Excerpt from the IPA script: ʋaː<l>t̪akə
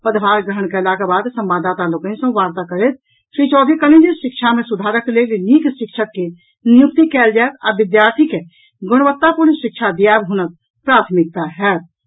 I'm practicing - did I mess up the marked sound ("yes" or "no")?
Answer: yes